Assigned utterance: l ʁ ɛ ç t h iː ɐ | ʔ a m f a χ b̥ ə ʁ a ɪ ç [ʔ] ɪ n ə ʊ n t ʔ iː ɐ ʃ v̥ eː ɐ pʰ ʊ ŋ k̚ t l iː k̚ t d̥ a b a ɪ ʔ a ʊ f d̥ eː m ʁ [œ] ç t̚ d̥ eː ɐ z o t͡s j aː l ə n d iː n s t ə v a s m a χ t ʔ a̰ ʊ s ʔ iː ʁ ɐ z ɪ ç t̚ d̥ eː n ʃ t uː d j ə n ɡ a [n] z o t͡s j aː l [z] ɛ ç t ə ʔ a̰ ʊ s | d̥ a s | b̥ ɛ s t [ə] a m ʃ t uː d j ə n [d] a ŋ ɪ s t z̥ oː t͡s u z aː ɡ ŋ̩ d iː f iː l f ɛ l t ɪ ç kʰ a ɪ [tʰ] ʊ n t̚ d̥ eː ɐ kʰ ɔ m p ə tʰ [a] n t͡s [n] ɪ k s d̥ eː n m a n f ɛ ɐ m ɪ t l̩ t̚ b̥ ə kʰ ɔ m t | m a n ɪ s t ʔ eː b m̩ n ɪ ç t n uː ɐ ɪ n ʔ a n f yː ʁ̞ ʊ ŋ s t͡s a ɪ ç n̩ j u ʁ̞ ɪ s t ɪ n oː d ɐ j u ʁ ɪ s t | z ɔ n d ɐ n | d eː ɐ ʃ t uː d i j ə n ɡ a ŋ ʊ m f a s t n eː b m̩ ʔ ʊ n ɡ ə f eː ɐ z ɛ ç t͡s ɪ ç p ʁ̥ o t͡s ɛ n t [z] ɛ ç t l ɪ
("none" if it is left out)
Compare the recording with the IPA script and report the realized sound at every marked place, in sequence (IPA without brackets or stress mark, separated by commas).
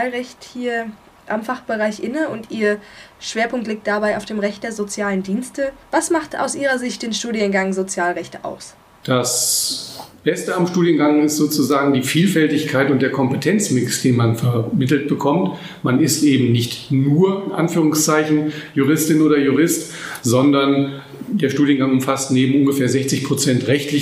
ʔ, ɛ, ŋ, ʁ, ə, ɡ, t, ɛ, m, ʁ